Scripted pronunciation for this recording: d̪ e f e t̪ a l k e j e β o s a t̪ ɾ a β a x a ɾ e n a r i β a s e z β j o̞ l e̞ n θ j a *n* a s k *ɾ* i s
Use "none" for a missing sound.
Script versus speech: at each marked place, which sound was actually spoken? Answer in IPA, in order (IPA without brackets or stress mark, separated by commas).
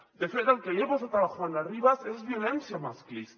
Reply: m, l